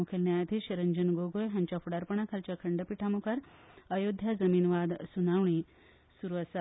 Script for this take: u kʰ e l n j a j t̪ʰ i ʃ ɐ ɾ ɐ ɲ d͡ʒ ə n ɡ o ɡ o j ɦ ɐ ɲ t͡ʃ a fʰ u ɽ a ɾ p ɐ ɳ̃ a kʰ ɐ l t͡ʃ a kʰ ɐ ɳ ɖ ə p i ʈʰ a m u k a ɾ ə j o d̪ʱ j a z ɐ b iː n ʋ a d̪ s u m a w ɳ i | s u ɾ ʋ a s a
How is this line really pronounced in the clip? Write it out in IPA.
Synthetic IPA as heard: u kʰ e l n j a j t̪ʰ i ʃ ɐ ɾ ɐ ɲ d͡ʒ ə n ɡ o ɡ o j ɦ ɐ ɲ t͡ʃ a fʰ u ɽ a ɾ p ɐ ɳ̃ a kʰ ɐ l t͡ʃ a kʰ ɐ ɳ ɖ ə p i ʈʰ a m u k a ɾ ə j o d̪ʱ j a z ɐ m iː n ʋ a d̪ s u n a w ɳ i | s u ɾ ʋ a s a